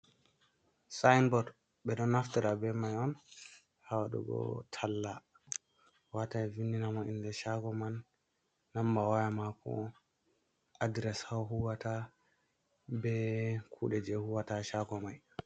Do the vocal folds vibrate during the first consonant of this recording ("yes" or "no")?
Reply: no